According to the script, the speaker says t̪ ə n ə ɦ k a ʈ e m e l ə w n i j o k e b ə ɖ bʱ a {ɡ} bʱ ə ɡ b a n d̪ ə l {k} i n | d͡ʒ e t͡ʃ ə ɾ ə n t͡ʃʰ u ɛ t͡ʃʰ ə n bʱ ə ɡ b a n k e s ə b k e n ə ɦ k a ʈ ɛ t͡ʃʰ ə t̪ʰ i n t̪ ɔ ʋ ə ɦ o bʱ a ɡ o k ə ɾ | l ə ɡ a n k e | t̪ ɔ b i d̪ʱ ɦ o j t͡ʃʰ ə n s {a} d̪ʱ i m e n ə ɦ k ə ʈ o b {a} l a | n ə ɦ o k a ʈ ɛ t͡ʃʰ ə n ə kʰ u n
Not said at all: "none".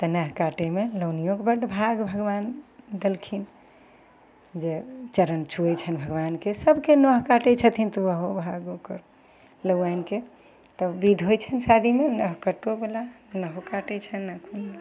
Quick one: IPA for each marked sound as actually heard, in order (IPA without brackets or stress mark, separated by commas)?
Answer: ɡ, kʰ, a, e